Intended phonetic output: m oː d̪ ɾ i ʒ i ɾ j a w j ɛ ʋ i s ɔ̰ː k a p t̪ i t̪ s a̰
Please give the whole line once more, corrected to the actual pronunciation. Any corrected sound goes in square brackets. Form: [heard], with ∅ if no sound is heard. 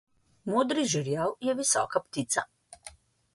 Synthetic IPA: m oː d̪ ɾ i ʒ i ɾ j a w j ɛ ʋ i s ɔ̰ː k a p t̪ i t̪ s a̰